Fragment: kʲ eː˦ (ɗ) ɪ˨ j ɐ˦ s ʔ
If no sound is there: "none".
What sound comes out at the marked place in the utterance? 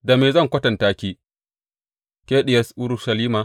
ɗ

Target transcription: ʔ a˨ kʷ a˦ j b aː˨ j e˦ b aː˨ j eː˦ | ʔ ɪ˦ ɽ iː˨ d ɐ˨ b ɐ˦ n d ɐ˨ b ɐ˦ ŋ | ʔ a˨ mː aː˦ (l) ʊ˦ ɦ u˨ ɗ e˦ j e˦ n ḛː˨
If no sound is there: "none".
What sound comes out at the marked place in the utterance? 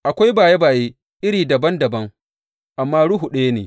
ɽ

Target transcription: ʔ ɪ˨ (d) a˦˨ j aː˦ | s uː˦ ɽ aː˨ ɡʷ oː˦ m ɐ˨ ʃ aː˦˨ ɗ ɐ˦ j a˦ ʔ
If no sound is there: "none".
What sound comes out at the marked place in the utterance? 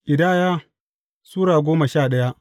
d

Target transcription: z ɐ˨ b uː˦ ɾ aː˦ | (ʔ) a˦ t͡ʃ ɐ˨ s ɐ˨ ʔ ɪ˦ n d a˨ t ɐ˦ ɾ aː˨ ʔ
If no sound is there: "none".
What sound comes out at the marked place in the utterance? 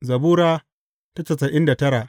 t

